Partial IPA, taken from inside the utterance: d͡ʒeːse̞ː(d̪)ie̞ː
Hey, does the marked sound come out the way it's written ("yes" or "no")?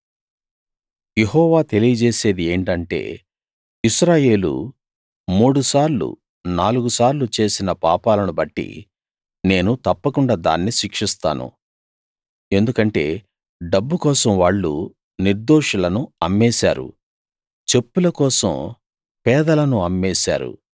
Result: yes